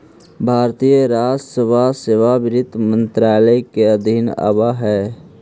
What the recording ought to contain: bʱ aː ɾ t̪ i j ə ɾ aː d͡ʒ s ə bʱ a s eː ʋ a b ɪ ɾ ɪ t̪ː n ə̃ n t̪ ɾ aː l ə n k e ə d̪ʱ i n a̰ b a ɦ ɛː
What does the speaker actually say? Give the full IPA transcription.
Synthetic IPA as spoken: bʱ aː ɾ t̪ i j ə ɾ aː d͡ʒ s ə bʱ a s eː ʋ a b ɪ ɾ ɪ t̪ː m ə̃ n t̪ ɾ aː l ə k e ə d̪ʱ i n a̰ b a ɦ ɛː